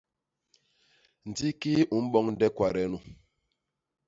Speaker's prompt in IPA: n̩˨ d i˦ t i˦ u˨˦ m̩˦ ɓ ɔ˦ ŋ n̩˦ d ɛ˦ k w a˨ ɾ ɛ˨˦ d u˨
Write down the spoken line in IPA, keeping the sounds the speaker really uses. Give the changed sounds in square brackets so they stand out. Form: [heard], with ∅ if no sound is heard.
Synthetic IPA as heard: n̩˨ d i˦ [k] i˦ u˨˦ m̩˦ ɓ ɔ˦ ŋ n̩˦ d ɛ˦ k w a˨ ɾ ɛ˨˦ [n] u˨